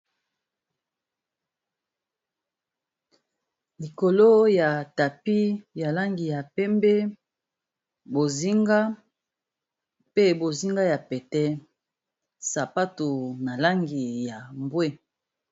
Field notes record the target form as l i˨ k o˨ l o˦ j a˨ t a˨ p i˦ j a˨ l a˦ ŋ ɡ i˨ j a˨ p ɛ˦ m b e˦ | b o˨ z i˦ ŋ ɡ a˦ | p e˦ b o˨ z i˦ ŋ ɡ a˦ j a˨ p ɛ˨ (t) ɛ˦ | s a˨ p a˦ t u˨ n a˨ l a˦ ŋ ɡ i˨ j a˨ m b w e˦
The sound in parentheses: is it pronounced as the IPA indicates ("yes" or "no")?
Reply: yes